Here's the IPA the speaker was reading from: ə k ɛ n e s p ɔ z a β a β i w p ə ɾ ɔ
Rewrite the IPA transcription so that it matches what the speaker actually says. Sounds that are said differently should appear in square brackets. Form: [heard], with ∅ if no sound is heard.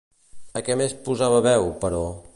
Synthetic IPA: ə k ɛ [m] e s p [u] z a β [ə] β [ɛ] w p ə ɾ ɔ